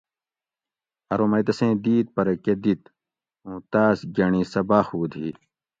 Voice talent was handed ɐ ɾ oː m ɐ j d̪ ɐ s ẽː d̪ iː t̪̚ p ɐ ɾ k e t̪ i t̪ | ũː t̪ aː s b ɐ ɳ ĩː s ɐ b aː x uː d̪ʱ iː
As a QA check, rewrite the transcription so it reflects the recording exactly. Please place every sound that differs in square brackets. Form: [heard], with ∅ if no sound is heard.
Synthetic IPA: ɐ ɾ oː m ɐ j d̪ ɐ s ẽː d̪ iː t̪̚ p ɐ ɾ k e [d̪] i t̪ | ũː t̪ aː s [ɡ] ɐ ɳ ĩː s ɐ b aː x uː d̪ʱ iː